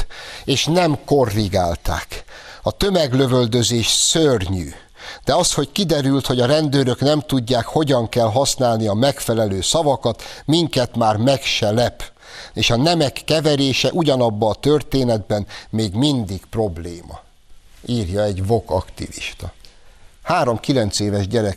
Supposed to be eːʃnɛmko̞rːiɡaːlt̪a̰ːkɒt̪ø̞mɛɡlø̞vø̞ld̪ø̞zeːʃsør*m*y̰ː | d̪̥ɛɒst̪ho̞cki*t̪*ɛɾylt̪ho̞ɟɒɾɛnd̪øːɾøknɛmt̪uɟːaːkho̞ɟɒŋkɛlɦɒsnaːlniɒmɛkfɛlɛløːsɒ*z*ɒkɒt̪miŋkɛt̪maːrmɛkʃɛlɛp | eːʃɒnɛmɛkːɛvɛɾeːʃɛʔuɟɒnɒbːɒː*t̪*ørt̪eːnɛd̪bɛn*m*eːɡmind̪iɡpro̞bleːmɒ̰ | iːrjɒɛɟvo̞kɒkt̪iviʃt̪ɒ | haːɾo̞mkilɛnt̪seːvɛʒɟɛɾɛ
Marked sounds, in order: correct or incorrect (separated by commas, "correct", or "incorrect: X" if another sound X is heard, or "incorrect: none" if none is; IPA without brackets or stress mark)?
incorrect: ɲ, incorrect: d̪, incorrect: v, correct, correct